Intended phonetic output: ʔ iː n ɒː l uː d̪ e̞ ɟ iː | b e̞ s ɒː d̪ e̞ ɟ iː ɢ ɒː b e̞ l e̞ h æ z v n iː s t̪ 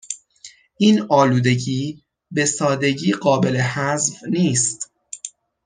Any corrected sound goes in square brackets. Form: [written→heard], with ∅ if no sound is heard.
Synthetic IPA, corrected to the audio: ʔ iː n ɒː l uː d̪ e̞ ɟ iː | b e̞ s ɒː d̪ e̞ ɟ iː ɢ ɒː b e̞ l e̞ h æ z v n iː s t̪